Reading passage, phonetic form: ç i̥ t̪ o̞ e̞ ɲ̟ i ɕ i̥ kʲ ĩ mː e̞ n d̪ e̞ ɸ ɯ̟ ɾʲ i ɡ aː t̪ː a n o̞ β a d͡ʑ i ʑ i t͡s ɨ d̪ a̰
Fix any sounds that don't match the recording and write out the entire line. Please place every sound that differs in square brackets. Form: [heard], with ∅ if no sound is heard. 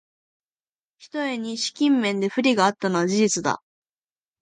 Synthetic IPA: ç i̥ t̪ o̞ e̞ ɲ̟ i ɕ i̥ kʲ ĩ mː [ẽ̞] n d̪ e̞ ɸ ɯ̟ ɾʲ i ɡ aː t̪ː a n o̞ β a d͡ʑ i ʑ i t͡s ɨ d̪ a̰